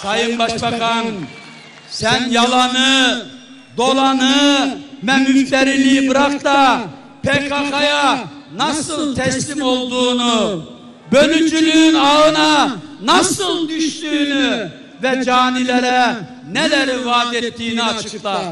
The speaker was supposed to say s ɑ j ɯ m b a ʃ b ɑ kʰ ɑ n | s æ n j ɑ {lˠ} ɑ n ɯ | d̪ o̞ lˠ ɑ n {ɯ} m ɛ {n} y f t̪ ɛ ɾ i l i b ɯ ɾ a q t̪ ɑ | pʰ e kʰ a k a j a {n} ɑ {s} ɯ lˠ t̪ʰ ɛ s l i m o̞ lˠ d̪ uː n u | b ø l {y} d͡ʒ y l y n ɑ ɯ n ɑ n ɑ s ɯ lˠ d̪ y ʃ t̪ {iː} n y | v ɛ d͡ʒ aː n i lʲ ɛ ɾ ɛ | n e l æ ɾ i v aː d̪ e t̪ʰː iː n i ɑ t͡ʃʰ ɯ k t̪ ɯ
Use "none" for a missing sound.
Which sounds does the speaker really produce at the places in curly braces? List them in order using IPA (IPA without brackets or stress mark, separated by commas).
lˠ, ɯ, m, n, s, y, yː